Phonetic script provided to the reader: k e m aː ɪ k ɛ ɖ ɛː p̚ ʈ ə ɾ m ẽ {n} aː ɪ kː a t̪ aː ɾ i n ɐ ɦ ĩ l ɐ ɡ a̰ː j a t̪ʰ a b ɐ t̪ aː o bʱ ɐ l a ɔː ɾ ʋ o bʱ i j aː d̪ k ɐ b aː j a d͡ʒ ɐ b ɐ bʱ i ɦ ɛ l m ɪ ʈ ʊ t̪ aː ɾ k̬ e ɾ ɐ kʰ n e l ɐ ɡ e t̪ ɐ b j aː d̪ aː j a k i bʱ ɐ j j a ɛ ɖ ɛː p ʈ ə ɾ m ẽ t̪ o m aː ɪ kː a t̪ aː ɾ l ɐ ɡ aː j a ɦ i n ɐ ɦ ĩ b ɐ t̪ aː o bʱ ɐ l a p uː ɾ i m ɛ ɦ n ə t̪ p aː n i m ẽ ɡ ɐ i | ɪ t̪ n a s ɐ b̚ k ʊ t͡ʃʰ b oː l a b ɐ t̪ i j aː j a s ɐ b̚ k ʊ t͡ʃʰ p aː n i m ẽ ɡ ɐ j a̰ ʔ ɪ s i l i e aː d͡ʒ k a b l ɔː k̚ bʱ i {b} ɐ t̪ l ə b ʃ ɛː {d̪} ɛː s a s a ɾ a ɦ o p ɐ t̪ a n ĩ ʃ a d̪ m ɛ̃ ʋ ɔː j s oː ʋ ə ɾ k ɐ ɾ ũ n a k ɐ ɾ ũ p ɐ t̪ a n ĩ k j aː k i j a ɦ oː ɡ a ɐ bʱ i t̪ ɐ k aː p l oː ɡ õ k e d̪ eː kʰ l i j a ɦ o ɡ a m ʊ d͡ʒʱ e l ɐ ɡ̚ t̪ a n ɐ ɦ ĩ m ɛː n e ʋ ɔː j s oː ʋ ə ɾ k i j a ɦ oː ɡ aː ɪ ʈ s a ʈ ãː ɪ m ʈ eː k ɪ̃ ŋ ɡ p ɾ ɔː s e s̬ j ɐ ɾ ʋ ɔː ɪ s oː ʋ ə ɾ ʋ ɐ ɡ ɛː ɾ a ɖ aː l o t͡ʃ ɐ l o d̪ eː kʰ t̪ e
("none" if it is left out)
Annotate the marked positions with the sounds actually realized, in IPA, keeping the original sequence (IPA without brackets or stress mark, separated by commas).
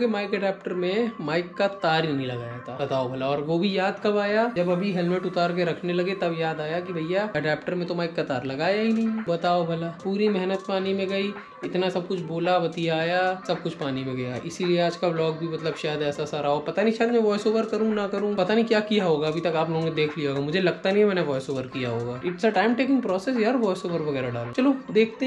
m, m, d̪